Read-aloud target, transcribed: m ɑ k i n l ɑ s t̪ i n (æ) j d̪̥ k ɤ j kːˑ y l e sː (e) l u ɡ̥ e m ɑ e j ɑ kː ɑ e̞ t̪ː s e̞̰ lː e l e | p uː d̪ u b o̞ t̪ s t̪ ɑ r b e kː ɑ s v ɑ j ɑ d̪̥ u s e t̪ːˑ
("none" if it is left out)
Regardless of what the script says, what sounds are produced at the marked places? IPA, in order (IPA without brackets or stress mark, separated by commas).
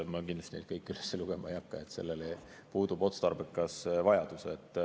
e, e